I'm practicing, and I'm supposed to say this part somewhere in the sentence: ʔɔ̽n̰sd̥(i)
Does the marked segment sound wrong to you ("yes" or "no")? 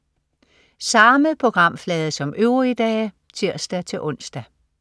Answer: yes